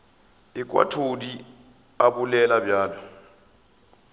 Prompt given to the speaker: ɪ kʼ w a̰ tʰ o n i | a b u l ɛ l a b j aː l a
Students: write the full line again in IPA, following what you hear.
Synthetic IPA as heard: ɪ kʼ w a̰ tʰ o d i | a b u l ɛ l a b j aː l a

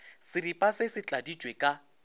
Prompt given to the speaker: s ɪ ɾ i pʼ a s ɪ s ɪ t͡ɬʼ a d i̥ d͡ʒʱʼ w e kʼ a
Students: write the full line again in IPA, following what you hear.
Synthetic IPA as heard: s ɪ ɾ i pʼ a s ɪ s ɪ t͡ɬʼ a d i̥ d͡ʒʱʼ w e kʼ a

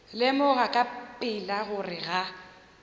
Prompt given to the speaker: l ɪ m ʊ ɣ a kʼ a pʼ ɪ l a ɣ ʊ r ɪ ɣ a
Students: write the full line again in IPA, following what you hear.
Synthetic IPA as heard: l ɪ m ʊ ɣ a kʼ a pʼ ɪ l a ɣ ʊ r ɪ ɣ a

